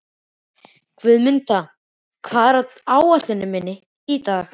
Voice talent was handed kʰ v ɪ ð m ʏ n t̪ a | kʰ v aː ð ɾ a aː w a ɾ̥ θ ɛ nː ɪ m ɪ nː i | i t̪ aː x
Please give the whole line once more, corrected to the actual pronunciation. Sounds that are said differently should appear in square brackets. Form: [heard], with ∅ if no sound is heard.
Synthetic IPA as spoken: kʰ v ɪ ð m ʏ n t̪ a | kʰ v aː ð ɾ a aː w a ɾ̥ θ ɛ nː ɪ m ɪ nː [ɪ] | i t̪ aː x